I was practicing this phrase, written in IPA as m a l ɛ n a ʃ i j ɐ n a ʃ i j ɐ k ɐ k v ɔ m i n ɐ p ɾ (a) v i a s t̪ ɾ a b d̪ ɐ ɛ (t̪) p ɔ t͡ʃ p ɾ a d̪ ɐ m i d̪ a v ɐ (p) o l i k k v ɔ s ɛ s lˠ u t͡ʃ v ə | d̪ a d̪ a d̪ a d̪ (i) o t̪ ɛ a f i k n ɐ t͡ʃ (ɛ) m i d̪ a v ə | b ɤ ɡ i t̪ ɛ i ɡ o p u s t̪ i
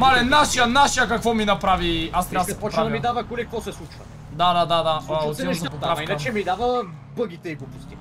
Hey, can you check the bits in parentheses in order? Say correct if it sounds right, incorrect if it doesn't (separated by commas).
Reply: correct, incorrect, incorrect, incorrect, correct